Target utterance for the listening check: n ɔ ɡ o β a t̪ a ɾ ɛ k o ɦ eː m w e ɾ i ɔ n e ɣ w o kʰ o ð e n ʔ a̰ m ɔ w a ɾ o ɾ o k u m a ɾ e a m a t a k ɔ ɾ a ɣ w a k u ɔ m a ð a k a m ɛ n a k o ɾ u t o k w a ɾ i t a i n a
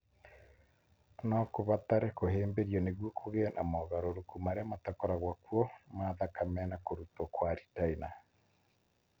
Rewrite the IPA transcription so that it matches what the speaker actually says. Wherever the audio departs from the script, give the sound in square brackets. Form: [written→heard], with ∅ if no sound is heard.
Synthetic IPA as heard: n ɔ [ɡ→k] o β a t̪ a ɾ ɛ k o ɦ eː m [w→b] e ɾ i ɔ n e ɣ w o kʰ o [ð→ɣ] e n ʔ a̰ m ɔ [w→ɣ] a ɾ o ɾ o k u m a ɾ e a m a t a k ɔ ɾ a ɣ w a k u ɔ m a ð a k a m ɛ n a k o ɾ u t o k w a ɾ i t a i n a